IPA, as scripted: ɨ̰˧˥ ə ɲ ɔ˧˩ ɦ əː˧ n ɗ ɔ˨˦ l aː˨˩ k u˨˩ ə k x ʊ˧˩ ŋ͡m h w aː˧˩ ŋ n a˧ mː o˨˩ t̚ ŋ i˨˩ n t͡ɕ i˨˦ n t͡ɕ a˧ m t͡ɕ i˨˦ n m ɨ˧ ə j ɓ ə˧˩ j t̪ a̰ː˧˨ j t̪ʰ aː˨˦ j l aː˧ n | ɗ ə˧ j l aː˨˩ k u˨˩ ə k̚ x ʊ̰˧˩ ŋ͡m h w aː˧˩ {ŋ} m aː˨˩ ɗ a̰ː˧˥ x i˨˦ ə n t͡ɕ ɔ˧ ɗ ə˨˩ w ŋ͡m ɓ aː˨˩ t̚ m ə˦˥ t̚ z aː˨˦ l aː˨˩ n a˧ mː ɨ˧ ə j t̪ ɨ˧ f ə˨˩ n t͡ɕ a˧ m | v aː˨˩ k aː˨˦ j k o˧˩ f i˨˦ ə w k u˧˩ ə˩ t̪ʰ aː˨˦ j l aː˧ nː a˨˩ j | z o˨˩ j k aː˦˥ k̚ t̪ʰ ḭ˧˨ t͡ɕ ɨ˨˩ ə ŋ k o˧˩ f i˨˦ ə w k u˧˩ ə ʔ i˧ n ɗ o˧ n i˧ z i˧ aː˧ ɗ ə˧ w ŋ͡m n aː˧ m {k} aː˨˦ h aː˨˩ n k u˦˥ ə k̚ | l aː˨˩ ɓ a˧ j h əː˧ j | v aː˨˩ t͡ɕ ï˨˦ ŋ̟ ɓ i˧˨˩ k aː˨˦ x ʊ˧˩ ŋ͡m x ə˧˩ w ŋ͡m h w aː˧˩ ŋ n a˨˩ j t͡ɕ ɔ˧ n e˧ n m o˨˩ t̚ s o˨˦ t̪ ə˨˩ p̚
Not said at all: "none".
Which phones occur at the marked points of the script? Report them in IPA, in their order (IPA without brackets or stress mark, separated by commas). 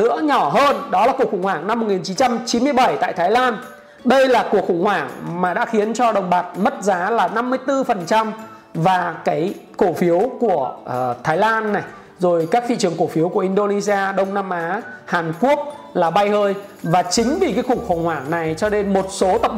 ŋ, ʔ